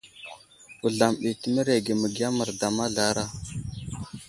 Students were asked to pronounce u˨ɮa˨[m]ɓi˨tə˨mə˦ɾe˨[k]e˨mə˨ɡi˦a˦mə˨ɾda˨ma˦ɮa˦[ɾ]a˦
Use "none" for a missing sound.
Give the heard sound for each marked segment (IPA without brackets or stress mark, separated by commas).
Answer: m, ɡ, ɾ